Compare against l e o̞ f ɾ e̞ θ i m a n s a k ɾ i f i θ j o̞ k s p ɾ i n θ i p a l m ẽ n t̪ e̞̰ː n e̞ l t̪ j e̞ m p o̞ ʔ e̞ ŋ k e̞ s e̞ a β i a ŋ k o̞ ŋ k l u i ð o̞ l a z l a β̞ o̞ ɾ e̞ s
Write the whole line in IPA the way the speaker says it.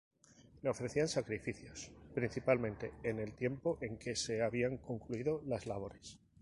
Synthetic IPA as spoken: l e o̞ f ɾ e̞ θ i a n s a k ɾ i f i θ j o̞ s p ɾ i n θ i p a l m ẽ n t̪ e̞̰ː n e̞ l t̪ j e̞ m p o̞ ʔ e̞ ŋ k e̞ s e̞ a β i a ŋ k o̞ ŋ k l u i ð o̞ l a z l a β̞ o̞ ɾ e̞ s